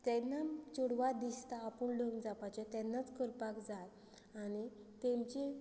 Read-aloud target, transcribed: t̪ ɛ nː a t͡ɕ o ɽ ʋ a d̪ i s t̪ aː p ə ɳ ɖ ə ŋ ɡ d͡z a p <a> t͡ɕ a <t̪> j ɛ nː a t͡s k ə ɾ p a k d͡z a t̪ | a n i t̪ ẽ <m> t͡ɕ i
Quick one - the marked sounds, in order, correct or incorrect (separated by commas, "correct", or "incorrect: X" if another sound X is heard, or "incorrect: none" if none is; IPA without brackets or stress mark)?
correct, correct, correct